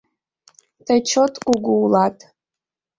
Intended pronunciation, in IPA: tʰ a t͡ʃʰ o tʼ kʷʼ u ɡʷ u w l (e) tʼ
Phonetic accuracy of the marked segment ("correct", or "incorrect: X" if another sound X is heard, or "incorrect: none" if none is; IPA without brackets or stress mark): incorrect: a